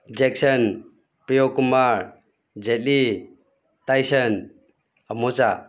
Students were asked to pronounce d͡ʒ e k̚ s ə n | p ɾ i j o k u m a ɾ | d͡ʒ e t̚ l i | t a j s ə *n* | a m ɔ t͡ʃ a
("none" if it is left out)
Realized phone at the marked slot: n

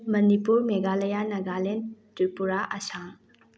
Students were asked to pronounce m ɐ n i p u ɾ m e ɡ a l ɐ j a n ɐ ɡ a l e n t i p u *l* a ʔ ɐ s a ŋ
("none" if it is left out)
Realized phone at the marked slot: ɾ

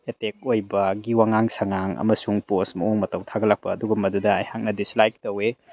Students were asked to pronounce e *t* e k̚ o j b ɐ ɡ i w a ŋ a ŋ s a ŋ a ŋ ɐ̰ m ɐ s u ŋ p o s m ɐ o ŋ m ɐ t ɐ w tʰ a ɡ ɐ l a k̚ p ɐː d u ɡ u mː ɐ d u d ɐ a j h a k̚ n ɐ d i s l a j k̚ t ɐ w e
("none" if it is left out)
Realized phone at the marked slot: t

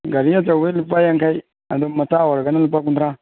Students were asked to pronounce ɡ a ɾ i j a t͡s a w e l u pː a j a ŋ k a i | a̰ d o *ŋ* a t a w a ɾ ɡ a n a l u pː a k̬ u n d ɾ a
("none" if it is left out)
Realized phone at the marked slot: m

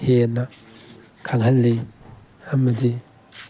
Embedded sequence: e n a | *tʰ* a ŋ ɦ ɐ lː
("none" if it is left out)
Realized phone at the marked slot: kʰ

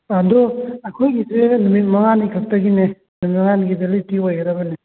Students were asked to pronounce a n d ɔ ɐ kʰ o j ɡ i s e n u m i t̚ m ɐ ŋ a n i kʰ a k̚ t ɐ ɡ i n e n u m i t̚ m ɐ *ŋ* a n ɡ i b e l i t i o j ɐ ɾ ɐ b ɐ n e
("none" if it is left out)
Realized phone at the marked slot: ŋ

